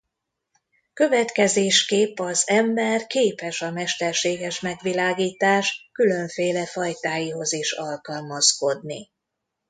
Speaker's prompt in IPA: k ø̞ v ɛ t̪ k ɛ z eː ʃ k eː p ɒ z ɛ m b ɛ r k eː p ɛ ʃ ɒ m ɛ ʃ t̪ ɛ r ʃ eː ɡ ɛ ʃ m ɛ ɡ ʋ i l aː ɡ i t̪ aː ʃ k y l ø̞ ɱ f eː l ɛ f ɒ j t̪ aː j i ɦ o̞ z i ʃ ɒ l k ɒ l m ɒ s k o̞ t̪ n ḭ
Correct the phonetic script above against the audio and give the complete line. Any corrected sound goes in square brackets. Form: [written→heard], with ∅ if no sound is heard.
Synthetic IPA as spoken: k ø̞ v ɛ t̪ k ɛ z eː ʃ k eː p ɒ z ɛ m b ɛ r k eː p ɛ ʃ ɒ m ɛ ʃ t̪ ɛ r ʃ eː ɡ ɛ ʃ m ɛ ɡ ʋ i l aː ɡ [i→iː] t̪ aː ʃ k y l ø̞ ɱ f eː l ɛ f ɒ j t̪ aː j i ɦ o̞ z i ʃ ɒ l k ɒ l m ɒ s k o̞ [t̪→d̪] n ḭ